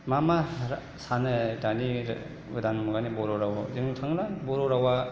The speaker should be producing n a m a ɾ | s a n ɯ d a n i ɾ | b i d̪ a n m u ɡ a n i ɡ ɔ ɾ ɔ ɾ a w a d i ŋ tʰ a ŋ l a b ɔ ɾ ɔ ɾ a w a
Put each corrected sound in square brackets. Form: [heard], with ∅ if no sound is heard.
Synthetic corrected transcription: [m] a m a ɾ | s a n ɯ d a n i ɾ | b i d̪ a n m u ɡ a n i [b] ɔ ɾ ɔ ɾ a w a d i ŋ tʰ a ŋ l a b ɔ ɾ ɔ ɾ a w a